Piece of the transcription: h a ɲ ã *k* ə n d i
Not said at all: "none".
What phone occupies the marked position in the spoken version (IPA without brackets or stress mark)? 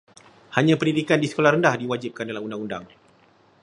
p